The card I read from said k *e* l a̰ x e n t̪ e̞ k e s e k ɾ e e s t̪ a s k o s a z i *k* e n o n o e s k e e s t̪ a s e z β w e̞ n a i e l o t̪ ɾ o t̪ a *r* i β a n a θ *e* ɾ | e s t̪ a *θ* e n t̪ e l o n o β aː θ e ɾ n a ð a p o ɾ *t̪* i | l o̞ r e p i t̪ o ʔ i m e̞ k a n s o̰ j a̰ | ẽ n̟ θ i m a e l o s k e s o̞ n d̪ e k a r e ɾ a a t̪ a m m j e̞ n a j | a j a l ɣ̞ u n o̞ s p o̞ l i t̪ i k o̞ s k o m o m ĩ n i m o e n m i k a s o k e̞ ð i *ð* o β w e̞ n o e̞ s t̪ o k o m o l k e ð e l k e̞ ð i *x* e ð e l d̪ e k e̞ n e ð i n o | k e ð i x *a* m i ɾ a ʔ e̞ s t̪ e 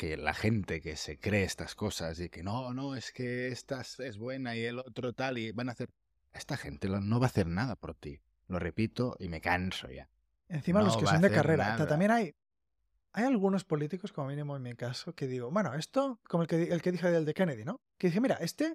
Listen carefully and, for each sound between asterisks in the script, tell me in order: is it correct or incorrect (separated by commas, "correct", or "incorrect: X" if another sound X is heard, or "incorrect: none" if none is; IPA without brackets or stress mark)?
correct, correct, incorrect: l, correct, incorrect: x, correct, incorrect: ɣ, correct, incorrect: e